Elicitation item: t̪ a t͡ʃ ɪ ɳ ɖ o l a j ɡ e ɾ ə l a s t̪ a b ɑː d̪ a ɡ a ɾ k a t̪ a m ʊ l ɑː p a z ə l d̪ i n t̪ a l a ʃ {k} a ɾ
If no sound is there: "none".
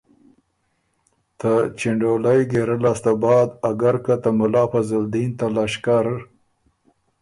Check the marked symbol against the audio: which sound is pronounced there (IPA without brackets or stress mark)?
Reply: k